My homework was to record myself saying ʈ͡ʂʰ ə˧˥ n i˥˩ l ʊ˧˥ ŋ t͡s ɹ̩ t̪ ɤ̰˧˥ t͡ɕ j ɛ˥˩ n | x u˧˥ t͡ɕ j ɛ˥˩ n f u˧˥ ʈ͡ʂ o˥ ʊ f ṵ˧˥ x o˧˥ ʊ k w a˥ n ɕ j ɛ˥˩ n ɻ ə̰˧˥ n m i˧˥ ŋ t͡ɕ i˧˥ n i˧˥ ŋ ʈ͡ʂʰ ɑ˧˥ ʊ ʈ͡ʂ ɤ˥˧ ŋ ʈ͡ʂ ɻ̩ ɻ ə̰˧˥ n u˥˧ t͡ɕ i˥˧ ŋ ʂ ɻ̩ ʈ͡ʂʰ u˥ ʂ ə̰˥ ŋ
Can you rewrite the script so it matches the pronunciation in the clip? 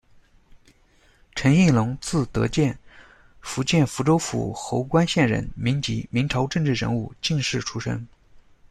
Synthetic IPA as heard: ʈ͡ʂʰ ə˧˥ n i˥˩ l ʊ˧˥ ŋ t͡s ɹ̩ t̪ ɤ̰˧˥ t͡ɕ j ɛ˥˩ n | f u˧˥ t͡ɕ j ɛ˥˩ n f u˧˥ ʈ͡ʂ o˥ ʊ f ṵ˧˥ x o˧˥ ʊ k w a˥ n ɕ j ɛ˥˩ n ɻ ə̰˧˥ n m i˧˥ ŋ t͡ɕ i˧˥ m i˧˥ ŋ ʈ͡ʂʰ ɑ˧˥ ʊ ʈ͡ʂ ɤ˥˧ ŋ ʈ͡ʂ ɻ̩ ɻ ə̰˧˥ n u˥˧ t͡ɕ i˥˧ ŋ ʂ ɻ̩ ʈ͡ʂʰ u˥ ʂ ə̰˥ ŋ